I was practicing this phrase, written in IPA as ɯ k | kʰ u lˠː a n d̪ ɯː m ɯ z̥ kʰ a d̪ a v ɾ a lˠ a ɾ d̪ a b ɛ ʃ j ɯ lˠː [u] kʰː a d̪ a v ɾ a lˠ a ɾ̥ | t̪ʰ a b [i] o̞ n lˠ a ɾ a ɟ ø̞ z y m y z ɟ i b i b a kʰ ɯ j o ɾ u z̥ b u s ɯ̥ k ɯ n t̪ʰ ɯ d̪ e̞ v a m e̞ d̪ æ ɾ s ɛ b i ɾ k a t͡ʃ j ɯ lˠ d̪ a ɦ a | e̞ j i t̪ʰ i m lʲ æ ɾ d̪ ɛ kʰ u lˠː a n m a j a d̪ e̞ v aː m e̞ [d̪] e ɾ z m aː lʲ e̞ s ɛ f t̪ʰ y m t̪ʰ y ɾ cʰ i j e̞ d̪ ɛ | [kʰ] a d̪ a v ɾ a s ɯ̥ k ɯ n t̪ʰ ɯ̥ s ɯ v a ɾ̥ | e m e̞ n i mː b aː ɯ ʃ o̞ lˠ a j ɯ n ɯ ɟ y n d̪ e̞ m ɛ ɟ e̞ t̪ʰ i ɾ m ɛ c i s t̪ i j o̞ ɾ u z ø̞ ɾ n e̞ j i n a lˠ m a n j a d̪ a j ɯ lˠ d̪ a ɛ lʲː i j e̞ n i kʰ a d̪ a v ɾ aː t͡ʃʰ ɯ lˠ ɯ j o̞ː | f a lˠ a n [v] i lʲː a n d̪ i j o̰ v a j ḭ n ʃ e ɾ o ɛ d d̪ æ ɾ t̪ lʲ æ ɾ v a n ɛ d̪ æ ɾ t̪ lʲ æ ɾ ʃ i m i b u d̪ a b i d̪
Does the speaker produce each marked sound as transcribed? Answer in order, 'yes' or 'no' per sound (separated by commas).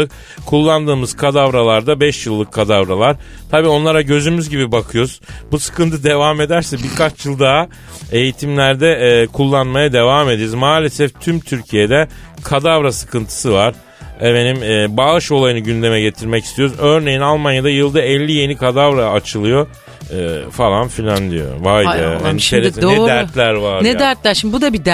no, no, yes, yes, no